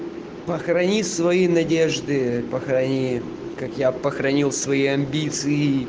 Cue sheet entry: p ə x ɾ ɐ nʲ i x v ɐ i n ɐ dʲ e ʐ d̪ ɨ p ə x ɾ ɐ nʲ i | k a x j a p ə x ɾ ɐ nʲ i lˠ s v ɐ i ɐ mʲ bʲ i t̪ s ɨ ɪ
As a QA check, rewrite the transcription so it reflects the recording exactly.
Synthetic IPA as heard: p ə x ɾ ɐ nʲ i s v ɐ i n ɐ dʲ e ʐ d̪ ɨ p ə x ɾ ɐ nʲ i | k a k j a p ə x ɾ ɐ nʲ i lˠ s v ɐ i ɐ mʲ bʲ i t̪ s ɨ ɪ